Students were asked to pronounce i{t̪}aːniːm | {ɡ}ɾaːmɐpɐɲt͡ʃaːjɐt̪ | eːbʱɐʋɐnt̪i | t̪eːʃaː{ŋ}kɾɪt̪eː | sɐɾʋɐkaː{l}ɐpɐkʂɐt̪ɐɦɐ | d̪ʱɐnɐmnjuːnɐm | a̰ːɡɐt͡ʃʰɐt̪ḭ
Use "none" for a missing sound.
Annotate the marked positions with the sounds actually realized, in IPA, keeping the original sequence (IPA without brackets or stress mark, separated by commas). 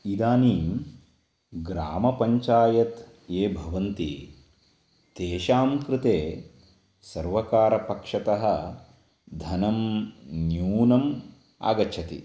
d̪, ɡ, m, ɾ